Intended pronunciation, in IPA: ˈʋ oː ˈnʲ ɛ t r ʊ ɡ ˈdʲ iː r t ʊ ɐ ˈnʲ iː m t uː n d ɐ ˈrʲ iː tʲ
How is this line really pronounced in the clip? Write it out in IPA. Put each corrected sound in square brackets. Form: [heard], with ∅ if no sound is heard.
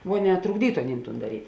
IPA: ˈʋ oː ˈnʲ ɛ t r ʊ ɡ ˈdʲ iː [∅] t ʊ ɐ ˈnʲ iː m t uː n d ɐ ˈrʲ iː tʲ